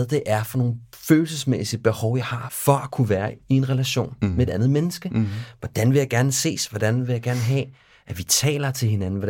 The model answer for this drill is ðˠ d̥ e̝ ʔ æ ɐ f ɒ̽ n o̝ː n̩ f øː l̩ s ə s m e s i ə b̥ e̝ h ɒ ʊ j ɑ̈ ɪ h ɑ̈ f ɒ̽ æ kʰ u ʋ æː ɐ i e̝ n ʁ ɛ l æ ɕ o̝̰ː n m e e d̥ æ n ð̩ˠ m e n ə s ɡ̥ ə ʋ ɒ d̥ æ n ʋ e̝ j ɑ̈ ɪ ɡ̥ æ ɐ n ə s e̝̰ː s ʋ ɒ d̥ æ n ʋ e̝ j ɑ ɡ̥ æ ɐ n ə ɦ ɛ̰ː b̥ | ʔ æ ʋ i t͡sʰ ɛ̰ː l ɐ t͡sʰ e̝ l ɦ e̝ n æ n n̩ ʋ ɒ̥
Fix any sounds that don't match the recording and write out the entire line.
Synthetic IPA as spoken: ðˠ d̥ e̝ ʔ æ ɐ f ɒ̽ n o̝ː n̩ f øː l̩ s ə s m e s i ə b̥ e̝ h ɒ ʊ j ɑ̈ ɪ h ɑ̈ f ɒ̽ æ kʰ u ʋ æː ɐ i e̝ n ʁ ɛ l æ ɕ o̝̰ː n m e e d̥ æ n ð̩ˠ m e n ə s ɡ̥ ə ʋ ɒ d̥ æ n ʋ e̝ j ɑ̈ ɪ ɡ̥ æ ɐ n ə s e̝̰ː s ʋ ɒ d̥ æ n ʋ e̝ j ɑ ɡ̥ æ ɐ n ə ɦ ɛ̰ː | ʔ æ ʋ i t͡sʰ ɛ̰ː l ɐ t͡sʰ e̝ l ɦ e̝ n æ n n̩ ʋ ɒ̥